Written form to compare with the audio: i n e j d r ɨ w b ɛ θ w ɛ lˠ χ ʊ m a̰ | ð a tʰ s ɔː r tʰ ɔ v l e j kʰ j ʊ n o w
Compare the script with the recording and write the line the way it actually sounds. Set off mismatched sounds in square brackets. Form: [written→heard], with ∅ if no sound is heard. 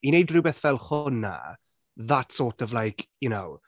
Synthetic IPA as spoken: i n e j d r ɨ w b ɛ θ [w→v] ɛ lˠ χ ʊ [m→n] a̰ | ð a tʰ s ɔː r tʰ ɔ v l [e→a] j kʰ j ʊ n o w